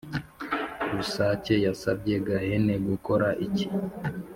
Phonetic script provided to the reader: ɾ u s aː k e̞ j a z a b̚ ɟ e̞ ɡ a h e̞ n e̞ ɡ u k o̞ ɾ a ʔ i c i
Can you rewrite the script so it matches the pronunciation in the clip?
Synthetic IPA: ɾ u s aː c e̞ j a s a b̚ ɟ e̞ ɡ a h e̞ n e̞ ɡ u k o̞ ɾ a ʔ i c i